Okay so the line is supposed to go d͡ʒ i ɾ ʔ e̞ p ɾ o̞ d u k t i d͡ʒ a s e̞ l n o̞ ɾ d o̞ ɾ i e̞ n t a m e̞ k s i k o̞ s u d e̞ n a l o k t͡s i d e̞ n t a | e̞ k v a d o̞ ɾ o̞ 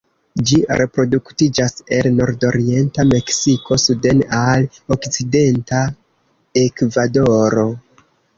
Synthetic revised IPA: d͡ʒ i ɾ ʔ e̞ p ɾ o̞ d u k t i d͡ʒ a s e̞ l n o̞ ɾ d o̞ ɾ i e̞ n t a m e̞ k s i k o̞ s u d e̞ n a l o k t͡s i d e̞ n t a | e̞ k v a d o̞ ɾ o̞